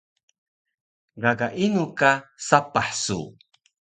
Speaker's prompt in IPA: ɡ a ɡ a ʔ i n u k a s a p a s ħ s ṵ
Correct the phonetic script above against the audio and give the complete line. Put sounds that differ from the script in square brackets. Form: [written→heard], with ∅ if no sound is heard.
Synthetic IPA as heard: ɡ a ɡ a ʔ i n u k a s a p a [s→∅] ħ s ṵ